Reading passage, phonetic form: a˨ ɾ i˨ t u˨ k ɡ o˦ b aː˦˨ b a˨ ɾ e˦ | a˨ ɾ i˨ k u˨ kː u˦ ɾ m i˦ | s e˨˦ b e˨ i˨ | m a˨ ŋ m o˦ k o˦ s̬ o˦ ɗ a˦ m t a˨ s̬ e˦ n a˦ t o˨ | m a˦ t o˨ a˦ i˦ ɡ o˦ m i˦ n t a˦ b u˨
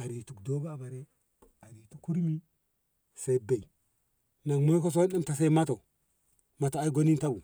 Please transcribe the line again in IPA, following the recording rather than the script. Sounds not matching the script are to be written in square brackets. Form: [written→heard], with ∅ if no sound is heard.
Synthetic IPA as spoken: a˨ ɾ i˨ t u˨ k [ɡ→d] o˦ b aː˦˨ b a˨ ɾ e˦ | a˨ ɾ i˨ [k→t] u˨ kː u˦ ɾ m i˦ | s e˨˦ b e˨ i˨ | [m→n] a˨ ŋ m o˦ k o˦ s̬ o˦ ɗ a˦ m t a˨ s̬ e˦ [n→m] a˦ t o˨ | m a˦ t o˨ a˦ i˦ ɡ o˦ [m→n] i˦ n t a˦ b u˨